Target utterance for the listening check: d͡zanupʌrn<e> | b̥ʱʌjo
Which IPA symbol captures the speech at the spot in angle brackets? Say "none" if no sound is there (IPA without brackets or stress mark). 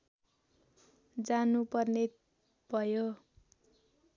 e